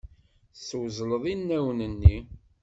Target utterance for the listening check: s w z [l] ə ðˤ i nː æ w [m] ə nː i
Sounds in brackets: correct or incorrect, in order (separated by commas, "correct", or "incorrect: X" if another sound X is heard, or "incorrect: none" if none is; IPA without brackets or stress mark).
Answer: correct, incorrect: n